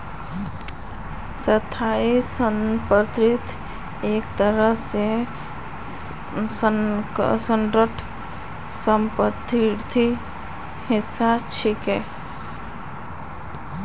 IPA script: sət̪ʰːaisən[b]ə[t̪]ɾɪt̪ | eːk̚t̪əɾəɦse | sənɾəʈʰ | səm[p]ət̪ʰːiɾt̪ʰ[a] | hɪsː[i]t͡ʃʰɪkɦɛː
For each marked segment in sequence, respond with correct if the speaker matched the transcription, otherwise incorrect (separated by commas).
incorrect, correct, correct, incorrect, incorrect